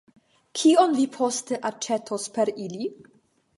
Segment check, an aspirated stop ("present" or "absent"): present